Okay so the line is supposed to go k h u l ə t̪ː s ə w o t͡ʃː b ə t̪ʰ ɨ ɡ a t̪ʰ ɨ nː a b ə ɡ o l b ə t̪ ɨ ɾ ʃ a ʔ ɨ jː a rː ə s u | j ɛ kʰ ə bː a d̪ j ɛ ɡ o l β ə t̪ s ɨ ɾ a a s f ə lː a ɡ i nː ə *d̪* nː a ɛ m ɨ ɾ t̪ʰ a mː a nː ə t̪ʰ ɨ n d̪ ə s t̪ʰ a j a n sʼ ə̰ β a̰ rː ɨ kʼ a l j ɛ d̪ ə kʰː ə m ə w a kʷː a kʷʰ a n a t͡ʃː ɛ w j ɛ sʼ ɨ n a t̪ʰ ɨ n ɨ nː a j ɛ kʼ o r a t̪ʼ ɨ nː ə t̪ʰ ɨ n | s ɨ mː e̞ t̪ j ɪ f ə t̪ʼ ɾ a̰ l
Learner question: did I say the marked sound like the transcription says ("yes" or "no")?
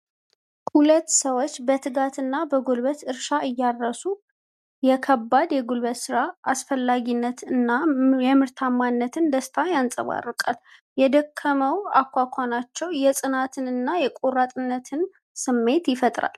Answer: no